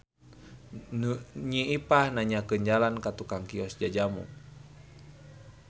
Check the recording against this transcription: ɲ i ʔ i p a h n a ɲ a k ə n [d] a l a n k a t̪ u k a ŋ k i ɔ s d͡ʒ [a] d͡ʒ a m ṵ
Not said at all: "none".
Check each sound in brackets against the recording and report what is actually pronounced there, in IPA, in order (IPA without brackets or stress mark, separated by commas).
d͡ʒ, a